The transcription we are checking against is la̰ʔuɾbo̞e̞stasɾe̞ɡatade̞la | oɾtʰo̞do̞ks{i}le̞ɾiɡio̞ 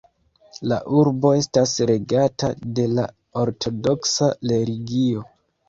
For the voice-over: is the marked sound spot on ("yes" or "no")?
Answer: no